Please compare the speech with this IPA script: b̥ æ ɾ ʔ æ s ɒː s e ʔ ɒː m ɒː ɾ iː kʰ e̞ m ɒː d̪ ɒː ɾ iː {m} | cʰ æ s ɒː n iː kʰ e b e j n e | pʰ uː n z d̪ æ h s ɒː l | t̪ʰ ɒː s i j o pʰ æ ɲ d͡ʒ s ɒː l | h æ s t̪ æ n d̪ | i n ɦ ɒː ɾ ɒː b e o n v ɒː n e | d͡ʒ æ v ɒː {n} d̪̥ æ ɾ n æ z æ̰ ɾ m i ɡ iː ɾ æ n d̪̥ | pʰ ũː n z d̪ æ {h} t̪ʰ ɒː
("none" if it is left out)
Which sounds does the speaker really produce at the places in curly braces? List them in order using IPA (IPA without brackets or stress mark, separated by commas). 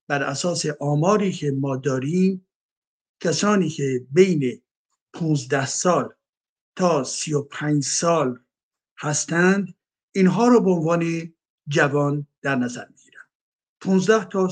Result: m, n, h